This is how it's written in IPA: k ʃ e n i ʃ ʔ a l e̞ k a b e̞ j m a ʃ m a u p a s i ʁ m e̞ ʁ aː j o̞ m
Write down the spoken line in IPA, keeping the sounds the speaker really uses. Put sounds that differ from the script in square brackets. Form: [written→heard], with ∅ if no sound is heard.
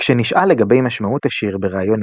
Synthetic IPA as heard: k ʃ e n i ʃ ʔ a l e̞ [k→ɡ] a b e̞ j m a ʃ m a u [p→t] a [s→ʃ] i ʁ [m→b] e̞ ʁ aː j o̞ [m→n]